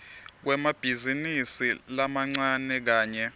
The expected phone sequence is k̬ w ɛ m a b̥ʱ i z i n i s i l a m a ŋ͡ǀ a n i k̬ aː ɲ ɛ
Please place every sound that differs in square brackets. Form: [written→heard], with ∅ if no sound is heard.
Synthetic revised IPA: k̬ w ɛ m a b̥ʱ i z i n i s i l a m a ŋ͡ǀ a n [i→ɛ] k̬ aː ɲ ɛ